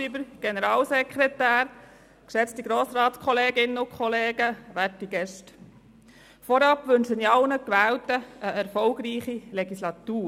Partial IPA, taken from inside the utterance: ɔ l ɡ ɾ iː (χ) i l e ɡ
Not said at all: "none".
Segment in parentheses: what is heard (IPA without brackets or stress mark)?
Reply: χ